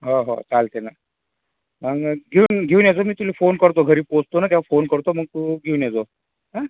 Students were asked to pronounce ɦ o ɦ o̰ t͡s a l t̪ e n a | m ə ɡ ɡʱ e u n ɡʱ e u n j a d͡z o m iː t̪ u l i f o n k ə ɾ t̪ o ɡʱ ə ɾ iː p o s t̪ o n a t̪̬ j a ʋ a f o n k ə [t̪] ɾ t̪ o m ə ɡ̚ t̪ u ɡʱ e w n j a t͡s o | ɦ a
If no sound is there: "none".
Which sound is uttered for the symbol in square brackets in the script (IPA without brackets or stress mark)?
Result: none